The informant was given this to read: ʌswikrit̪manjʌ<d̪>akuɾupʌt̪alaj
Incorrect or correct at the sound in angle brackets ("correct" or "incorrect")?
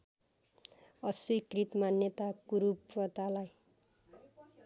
incorrect